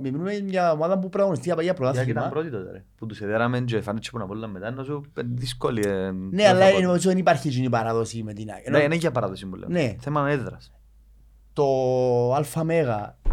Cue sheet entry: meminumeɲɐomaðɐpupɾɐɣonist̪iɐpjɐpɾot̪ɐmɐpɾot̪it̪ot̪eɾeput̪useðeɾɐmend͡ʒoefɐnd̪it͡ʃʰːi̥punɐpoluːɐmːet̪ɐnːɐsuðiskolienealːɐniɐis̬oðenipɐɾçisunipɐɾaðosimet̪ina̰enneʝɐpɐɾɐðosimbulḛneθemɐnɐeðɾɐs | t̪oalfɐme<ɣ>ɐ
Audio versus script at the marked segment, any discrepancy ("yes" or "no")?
no